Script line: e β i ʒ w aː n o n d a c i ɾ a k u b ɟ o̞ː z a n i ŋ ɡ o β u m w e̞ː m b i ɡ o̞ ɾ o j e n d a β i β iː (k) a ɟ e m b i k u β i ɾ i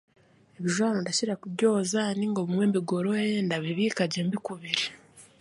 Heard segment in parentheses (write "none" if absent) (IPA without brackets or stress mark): k